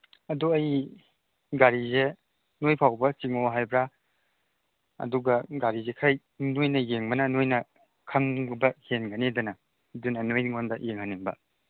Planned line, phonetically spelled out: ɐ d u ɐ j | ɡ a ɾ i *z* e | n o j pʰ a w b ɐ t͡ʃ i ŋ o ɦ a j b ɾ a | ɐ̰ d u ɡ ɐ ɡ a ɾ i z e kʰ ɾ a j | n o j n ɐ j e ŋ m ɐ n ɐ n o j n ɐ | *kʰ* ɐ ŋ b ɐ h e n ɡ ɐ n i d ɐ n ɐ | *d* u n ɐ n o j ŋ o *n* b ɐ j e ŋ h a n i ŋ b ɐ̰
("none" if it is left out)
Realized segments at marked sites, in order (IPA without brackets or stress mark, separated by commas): z, kʰ, d, n